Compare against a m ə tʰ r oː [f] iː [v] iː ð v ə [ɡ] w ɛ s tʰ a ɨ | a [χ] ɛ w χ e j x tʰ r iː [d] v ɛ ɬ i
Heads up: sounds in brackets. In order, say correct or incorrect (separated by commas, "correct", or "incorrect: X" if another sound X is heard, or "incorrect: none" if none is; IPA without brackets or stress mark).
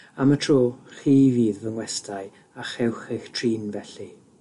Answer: incorrect: χ, correct, incorrect: ŋ, correct, incorrect: n